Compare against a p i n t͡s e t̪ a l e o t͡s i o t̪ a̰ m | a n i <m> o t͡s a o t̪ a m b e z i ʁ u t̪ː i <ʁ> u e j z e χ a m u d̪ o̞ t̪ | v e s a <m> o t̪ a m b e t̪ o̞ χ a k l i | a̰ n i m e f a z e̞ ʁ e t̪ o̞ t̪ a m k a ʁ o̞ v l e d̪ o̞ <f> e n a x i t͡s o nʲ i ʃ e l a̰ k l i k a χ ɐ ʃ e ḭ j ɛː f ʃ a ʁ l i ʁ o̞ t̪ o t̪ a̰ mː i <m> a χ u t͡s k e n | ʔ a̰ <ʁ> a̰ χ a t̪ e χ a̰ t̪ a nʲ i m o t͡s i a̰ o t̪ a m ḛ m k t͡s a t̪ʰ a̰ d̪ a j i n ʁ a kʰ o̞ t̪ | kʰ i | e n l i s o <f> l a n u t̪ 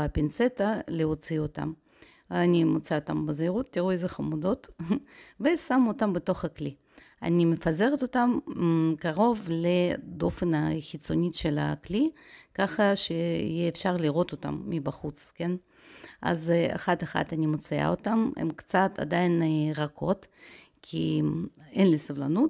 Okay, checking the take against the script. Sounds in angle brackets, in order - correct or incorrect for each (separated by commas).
correct, correct, correct, correct, incorrect, incorrect, incorrect